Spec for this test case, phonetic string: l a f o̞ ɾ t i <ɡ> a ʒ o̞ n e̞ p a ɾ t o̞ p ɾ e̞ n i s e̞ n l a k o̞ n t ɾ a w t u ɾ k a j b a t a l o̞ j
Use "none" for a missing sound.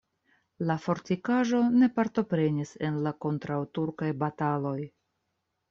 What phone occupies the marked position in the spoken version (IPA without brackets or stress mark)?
k